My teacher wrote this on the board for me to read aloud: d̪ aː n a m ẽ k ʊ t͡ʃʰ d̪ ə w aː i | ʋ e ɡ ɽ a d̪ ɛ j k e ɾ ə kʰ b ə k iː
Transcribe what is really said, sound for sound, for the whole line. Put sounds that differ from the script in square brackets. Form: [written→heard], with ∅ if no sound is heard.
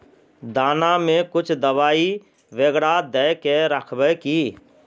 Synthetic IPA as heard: d̪ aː n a m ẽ k ʊ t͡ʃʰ d̪ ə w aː i | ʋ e ɡ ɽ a d̪ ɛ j k e ɾ ə kʰ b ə k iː